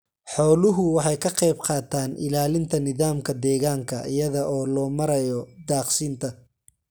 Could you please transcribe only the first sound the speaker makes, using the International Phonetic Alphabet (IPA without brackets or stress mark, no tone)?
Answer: ħ